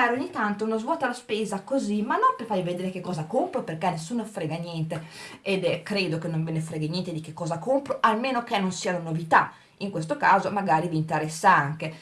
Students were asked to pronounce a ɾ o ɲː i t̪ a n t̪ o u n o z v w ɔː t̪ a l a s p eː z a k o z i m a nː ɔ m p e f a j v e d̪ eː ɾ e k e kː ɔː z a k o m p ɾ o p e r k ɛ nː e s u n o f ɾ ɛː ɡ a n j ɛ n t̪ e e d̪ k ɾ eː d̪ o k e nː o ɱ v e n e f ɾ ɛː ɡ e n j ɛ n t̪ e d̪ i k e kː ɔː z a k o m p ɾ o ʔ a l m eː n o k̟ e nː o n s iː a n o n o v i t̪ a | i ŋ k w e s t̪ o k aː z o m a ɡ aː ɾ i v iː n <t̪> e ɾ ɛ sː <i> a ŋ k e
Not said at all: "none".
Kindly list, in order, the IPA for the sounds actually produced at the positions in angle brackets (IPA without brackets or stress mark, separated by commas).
t̪, a